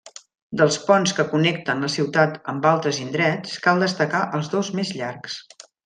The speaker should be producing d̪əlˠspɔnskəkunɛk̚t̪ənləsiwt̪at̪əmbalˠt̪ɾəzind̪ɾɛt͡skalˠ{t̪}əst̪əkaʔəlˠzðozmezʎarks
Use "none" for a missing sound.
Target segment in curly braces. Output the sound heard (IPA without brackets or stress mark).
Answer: d̪